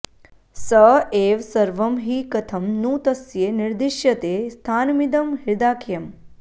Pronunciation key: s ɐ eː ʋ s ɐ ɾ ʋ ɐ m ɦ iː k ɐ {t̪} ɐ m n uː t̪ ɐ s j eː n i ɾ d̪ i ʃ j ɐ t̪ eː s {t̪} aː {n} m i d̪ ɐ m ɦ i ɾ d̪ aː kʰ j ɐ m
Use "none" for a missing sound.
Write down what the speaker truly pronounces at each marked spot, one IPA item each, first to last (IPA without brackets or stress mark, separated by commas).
t̪ʰ, t̪ʰ, n